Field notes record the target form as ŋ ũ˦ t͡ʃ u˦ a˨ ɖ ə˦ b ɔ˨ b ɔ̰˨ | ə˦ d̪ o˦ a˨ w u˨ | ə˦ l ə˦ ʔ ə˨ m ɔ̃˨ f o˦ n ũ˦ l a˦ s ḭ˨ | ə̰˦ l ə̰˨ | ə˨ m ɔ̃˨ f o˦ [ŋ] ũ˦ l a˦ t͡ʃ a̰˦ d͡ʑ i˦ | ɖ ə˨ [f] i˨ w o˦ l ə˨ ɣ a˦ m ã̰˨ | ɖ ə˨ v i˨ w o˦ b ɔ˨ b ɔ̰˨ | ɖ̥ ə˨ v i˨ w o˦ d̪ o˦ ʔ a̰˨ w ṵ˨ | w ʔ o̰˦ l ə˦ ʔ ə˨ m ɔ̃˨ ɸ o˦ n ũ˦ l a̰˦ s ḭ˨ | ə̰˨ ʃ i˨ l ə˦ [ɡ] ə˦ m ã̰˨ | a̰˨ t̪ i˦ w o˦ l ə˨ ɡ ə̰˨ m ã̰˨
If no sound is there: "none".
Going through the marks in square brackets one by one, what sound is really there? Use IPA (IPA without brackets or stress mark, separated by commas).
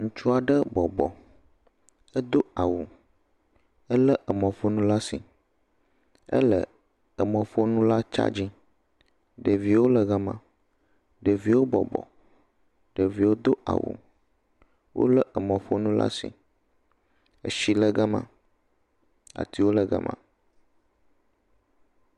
n, v, ɡ